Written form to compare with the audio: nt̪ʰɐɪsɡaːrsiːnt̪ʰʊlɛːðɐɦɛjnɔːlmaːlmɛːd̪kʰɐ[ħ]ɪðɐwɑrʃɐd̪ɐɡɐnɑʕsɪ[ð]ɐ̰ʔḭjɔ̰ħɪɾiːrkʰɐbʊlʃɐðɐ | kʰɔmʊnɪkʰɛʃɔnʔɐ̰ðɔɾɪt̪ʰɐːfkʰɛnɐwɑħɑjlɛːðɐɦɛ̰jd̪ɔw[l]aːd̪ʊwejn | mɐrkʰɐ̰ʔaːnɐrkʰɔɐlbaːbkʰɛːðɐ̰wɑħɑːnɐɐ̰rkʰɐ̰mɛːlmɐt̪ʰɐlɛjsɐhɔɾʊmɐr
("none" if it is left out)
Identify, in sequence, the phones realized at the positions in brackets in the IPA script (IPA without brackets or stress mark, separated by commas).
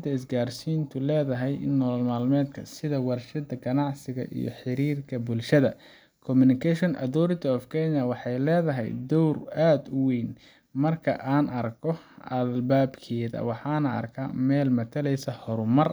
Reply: s, ɣ, r